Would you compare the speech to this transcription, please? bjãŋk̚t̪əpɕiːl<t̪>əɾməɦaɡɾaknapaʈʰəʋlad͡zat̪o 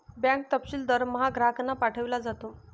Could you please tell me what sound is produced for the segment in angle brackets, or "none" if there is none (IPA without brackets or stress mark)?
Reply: d̪